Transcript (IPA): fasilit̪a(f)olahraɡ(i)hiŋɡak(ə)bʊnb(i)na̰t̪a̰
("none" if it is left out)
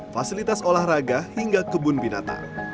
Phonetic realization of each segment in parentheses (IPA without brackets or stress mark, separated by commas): s, a, ə, i